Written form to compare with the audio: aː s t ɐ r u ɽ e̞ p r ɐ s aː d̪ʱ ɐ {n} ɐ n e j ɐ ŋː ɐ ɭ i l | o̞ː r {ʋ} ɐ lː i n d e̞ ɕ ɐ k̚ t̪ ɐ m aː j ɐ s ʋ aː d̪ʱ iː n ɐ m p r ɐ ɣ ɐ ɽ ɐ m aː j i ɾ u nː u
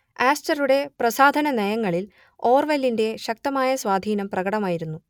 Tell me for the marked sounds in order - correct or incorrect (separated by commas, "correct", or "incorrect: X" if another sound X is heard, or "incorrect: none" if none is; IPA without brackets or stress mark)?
correct, correct